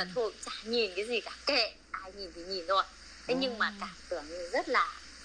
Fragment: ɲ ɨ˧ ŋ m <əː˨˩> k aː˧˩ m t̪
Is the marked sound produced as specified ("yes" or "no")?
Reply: no